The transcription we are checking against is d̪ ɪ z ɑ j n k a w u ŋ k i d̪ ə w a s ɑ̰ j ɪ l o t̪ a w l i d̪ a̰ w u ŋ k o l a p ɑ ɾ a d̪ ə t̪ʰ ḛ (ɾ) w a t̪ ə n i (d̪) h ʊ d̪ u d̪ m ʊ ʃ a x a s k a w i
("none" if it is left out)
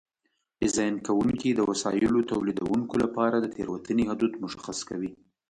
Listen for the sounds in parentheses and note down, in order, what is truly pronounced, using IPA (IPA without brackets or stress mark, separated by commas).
ɾ, none